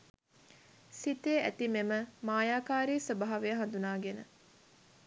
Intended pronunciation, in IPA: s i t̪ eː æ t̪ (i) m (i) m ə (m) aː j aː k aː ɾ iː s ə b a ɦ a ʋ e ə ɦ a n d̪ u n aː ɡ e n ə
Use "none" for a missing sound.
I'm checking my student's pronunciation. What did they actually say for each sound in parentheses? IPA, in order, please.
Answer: i, e, m

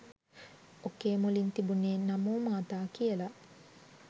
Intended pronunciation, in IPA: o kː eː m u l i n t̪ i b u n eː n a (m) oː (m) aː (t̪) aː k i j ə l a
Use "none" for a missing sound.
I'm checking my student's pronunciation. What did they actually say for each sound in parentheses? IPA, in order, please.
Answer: m, m, t̪

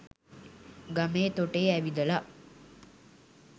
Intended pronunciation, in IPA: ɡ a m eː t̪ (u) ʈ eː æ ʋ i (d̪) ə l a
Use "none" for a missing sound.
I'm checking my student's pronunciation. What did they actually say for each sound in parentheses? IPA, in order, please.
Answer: o, d̪

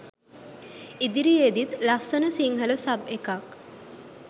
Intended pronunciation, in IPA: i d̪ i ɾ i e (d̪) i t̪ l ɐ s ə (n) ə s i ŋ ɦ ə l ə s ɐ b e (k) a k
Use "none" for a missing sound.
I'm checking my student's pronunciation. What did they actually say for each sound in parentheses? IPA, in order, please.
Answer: d̪, n, k

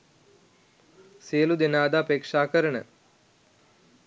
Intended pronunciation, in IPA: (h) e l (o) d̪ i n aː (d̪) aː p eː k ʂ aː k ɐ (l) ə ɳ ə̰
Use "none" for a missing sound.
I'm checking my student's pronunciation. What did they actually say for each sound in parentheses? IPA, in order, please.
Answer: s, u, d̪, ɾ

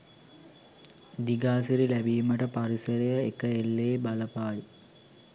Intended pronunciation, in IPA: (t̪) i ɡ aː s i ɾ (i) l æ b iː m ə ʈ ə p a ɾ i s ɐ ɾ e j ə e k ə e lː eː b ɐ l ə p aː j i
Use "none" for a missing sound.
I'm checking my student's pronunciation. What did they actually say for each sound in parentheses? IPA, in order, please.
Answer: d̪, i

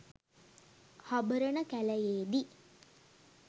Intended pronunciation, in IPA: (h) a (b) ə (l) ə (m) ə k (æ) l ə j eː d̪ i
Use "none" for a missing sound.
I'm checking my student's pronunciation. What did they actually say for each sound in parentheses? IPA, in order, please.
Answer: h, b, ɾ, n, æ

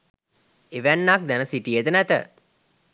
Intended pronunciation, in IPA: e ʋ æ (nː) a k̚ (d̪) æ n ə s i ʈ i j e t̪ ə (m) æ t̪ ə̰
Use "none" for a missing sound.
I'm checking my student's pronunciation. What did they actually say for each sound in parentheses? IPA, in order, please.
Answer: nː, d̪, n

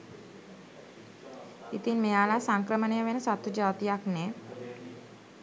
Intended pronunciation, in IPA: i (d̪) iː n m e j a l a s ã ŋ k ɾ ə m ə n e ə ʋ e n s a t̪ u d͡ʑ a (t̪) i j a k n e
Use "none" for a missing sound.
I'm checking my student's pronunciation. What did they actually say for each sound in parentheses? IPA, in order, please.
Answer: t̪, t̪

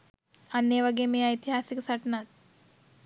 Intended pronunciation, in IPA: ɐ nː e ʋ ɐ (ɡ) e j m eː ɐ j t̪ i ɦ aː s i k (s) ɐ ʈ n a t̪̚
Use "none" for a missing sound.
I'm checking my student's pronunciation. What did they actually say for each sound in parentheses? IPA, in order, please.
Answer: ɡ, s

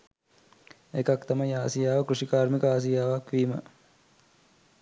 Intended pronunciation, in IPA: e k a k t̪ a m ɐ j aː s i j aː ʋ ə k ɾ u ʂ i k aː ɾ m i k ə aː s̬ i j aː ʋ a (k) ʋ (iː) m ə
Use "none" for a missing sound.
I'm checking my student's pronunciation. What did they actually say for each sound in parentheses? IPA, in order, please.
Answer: k, iː

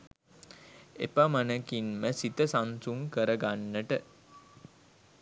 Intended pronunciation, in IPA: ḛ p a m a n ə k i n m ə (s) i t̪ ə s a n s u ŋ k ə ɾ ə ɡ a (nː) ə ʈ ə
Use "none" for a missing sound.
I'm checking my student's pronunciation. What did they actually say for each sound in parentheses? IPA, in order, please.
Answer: s, nː

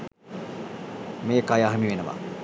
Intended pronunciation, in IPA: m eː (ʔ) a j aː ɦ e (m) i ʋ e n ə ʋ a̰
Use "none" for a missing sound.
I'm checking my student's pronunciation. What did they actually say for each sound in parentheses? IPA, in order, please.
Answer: k, m

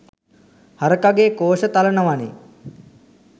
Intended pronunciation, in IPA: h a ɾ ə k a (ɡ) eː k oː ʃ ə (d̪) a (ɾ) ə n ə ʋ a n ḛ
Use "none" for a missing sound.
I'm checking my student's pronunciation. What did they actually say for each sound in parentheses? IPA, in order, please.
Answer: ɡ, t̪, l

